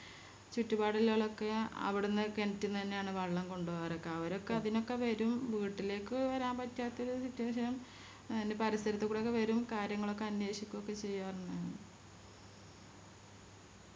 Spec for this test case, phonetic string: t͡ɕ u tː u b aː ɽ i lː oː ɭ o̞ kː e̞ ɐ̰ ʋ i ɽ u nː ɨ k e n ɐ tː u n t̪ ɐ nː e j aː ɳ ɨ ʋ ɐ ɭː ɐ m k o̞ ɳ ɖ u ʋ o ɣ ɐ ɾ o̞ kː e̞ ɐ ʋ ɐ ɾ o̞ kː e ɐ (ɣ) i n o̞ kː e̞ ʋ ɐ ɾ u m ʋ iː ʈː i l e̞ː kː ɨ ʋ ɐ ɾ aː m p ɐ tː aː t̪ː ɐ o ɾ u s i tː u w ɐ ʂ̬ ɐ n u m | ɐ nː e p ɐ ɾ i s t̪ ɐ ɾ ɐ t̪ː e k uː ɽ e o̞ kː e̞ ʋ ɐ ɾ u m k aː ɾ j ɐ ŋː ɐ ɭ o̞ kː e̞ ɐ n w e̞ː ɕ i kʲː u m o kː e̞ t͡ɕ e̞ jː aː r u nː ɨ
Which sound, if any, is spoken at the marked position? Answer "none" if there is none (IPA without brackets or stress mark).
ð